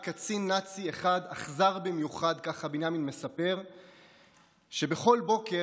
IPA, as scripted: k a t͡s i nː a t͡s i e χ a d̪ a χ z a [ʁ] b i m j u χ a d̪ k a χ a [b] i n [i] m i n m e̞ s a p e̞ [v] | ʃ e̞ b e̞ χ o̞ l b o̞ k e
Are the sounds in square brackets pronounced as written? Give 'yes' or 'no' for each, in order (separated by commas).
yes, yes, no, no